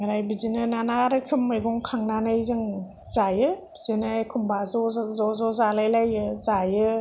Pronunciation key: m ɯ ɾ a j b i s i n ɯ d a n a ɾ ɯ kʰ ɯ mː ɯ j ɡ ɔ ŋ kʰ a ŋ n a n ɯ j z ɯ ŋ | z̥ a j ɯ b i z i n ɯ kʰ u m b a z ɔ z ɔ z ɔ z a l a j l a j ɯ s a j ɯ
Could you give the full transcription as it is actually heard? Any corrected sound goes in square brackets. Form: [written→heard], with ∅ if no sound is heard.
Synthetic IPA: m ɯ ɾ a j b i [s→z] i n ɯ [d→n] a n a ɾ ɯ kʰ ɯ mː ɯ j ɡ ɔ ŋ kʰ a ŋ n a n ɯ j z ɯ ŋ | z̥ a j ɯ b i z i n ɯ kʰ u m b a z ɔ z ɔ z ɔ z a l a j l a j ɯ [s→z] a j ɯ